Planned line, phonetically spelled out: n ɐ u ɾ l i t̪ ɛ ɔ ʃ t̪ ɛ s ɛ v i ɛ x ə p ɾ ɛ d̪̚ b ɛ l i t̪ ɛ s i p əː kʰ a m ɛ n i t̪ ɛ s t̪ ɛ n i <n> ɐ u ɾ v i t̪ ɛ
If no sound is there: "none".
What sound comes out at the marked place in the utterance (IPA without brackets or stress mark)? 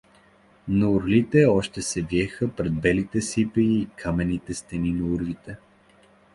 n